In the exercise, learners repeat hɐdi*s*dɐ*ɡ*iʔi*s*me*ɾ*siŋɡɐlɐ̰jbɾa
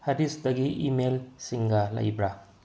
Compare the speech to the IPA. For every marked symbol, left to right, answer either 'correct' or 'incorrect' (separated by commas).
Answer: correct, correct, incorrect, incorrect